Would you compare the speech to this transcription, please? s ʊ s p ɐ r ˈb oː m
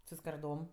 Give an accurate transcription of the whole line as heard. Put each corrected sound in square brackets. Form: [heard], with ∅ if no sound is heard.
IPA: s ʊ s [k] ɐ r [ˈd] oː m